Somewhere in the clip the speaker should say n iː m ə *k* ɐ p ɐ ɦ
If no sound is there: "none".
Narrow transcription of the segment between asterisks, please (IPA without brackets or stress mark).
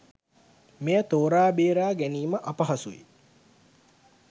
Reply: ʔ